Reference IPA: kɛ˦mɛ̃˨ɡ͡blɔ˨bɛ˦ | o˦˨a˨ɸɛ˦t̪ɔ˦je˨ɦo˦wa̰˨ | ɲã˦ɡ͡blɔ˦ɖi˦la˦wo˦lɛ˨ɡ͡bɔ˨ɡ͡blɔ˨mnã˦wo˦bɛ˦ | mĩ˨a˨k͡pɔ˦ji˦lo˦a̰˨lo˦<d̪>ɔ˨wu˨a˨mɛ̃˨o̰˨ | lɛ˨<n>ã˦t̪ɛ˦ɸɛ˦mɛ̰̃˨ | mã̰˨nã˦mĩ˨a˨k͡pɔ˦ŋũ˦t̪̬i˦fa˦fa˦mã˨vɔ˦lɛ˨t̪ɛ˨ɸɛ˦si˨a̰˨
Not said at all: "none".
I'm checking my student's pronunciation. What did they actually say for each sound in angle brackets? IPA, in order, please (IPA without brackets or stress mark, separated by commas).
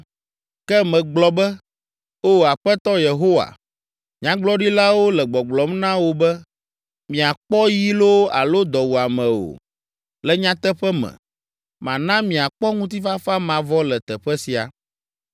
d̪, ɲ